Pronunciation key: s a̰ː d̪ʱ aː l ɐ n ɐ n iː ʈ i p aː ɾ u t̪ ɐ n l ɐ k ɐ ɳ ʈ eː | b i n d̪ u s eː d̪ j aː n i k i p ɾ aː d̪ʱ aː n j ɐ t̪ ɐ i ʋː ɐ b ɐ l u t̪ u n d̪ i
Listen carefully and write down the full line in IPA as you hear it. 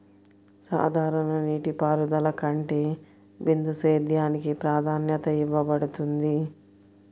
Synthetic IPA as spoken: s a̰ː d̪ʱ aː ɾ ɐ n ɐ n iː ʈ i p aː ɾ u d̪ ɐ l ɐ k ɐ ɳ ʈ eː | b i n d̪ u s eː d̪ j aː n i k i p ɾ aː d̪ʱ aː n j ɐ t̪ ɐ i ʋː ɐ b ɐ ɽ u t̪ u n d̪ i